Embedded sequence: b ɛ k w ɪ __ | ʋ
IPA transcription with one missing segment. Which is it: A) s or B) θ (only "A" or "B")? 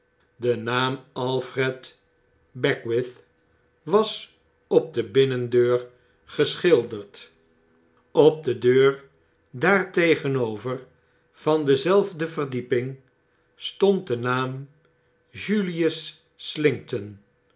B